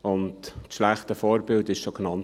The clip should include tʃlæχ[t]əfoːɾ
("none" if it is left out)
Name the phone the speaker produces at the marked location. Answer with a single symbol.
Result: t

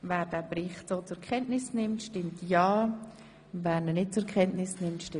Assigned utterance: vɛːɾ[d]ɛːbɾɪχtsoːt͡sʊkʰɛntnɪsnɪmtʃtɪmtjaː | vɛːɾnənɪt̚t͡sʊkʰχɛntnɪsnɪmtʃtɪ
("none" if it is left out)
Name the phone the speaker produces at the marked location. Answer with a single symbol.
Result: d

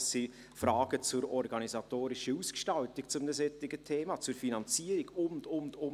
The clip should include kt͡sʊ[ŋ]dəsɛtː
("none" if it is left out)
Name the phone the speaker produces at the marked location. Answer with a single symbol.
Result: m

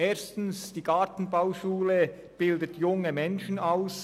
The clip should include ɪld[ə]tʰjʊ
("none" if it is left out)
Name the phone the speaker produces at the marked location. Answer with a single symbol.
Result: ə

